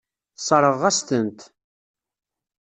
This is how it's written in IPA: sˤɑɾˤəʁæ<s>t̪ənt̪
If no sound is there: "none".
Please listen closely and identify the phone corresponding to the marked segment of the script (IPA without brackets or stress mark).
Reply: s